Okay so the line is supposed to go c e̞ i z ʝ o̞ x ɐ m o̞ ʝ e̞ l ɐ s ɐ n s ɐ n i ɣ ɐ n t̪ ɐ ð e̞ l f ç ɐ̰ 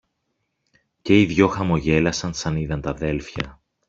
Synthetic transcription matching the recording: c e̞ i ð ʝ o̞ x ɐ m o̞ ʝ e̞ l ɐ s ɐ n s ɐ n i ð ɐ n t̪ ɐ ð e̞ l f ç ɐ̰